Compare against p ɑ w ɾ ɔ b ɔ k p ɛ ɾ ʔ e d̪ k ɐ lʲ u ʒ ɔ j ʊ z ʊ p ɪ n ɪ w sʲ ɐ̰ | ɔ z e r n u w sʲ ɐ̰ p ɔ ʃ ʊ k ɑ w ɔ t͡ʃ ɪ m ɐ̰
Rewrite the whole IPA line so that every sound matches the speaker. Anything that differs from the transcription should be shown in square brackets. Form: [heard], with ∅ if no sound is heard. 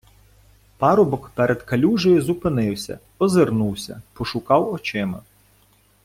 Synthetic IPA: p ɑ [∅] ɾ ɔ b ɔ k p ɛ ɾ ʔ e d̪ k ɐ lʲ u ʒ ɔ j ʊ z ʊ p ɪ n ɪ w sʲ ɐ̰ | ɔ z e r n u w sʲ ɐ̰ p ɔ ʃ ʊ k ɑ w ɔ t͡ʃ ɪ m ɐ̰